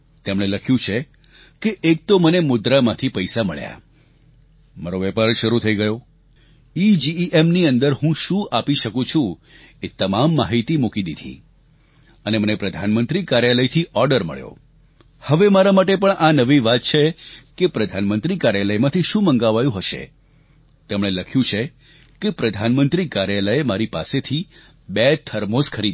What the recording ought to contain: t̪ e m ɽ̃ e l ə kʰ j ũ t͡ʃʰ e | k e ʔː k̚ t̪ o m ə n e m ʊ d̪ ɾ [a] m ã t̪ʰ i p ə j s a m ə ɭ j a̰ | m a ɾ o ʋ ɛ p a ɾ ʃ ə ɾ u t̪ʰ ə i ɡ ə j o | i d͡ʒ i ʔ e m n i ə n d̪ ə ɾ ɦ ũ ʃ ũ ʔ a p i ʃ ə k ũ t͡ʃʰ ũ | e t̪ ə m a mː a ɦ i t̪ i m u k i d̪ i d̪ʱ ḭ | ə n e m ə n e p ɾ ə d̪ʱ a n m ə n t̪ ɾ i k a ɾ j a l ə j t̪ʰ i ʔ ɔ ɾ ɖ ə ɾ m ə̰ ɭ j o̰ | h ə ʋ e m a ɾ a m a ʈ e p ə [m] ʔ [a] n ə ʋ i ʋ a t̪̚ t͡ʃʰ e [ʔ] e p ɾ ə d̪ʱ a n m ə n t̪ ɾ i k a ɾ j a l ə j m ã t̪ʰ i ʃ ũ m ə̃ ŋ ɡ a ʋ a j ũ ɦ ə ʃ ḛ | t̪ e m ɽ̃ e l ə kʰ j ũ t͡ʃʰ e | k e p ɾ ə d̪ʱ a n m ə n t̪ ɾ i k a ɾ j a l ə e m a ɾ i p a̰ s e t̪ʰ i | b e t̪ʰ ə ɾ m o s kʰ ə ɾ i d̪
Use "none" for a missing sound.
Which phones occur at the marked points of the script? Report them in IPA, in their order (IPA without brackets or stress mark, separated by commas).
a, ɳ, a, k